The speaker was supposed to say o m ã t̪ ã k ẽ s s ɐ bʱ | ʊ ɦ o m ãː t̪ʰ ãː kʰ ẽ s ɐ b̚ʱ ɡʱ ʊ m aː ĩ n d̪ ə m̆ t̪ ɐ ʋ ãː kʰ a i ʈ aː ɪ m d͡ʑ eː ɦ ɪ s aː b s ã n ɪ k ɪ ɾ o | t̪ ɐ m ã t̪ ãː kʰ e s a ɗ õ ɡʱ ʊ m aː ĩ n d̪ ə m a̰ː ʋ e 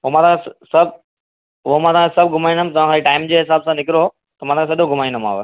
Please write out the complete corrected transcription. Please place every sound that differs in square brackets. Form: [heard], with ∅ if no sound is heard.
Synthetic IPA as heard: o m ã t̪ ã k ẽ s s ɐ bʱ | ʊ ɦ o m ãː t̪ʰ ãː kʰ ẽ s ɐ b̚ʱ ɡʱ ʊ m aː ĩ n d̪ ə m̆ t̪ ɐ ʋ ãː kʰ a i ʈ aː ɪ m d͡ʑ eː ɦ ɪ s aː b s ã n ɪ k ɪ ɾ o | t̪ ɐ m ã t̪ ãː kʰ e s [ɐ] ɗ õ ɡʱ ʊ m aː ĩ n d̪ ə m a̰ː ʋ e